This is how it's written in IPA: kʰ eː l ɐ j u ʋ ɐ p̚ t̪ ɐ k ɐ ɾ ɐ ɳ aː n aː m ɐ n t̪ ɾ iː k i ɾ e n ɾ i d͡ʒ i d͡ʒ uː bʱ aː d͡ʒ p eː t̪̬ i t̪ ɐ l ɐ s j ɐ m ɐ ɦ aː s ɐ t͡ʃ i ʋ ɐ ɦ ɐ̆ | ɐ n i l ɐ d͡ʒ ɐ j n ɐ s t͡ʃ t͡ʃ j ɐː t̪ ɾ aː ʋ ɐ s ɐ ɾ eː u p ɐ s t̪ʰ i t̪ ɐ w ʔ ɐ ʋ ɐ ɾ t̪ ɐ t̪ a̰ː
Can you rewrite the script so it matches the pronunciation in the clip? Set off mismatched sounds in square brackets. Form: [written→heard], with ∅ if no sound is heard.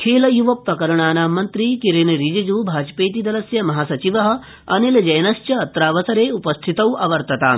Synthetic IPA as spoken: kʰ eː l ɐ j u ʋ ɐ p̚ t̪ ɐ k ɐ ɾ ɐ ɳ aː n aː m ɐ n t̪ ɾ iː k i ɾ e n ɾ i d͡ʒ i d͡ʒ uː bʱ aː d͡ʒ p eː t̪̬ i [t̪→d̪] ɐ l ɐ s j ɐ m ɐ ɦ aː s ɐ t͡ʃ i ʋ ɐ ɦ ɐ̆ | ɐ n i l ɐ d͡ʒ ɐ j n ɐ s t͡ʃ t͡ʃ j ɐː t̪ ɾ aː ʋ ɐ s ɐ ɾ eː u p ɐ s t̪ʰ i t̪ ɐ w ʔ ɐ ʋ ɐ ɾ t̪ ɐ t̪ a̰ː